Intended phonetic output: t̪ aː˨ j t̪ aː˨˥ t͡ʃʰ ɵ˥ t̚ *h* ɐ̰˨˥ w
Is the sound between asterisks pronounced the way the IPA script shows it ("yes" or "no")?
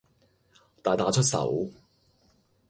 no